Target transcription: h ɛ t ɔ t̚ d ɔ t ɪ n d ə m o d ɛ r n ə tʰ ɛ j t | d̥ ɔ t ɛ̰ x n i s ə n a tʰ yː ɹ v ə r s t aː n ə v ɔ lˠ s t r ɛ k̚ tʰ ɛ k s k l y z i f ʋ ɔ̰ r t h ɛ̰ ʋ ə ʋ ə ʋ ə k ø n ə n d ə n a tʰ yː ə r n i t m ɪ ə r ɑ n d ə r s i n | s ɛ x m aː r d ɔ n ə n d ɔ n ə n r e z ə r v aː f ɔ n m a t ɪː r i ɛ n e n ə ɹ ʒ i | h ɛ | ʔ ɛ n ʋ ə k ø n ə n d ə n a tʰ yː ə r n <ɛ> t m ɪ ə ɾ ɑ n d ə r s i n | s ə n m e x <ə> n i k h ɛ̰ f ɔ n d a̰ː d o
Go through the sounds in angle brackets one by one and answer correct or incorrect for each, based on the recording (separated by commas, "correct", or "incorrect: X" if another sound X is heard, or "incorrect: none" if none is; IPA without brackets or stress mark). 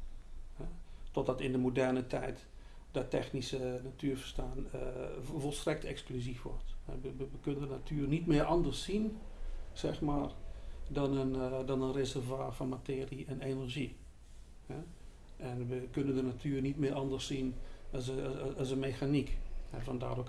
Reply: incorrect: i, incorrect: a